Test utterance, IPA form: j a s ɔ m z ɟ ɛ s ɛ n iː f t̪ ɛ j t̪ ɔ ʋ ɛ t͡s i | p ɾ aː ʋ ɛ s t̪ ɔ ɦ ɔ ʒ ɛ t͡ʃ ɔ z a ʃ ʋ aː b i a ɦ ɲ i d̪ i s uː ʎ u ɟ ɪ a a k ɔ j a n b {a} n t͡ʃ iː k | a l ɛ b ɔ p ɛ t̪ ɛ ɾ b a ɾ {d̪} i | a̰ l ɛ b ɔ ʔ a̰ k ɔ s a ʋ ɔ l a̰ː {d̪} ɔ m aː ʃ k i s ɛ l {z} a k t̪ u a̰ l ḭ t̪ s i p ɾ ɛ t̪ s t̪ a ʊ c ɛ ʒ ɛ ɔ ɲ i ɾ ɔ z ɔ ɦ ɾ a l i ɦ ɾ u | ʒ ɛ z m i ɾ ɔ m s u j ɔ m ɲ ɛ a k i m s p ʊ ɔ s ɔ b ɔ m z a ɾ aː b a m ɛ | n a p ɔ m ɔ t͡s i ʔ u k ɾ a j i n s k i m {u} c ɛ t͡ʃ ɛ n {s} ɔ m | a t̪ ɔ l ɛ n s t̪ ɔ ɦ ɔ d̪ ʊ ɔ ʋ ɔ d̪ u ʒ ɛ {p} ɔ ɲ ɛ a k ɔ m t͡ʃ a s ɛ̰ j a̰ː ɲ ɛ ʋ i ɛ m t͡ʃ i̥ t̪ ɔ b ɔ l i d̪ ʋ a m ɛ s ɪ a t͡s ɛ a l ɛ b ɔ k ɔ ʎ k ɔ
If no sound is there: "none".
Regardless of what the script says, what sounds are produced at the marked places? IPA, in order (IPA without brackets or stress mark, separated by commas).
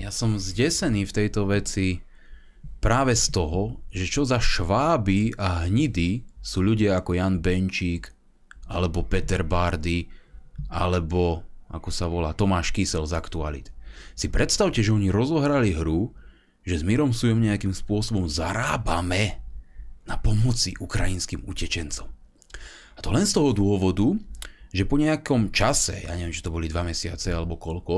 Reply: ɛ, d̪, t̪, z, u, t͡s, p